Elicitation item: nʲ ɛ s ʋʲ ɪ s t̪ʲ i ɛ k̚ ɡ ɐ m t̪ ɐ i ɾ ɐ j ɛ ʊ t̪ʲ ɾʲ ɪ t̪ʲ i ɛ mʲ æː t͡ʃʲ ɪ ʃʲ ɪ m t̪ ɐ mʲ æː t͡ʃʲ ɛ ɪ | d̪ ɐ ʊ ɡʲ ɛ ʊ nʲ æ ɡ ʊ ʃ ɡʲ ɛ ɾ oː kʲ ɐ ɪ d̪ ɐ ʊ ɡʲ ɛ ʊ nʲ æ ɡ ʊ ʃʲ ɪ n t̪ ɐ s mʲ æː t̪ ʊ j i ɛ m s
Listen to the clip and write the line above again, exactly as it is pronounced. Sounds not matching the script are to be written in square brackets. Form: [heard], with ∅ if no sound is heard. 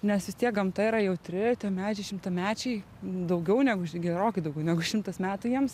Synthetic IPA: nʲ ɛ s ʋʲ ɪ s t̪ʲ i ɛ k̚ ɡ ɐ m t̪ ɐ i ɾ ɐ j ɛ ʊ t̪ʲ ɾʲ ɪ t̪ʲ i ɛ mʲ æː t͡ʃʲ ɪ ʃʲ ɪ m t̪ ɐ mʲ æː t͡ʃʲ ɛ ɪ | d̪ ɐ ʊ ɡʲ ɛ ʊ nʲ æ ɡ ʊ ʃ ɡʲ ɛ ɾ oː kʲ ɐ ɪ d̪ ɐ ʊ ɡʲ ɛ ʊ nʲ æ ɡ ʊ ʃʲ ɪ [m] t̪ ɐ s mʲ æː t̪ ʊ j i ɛ m s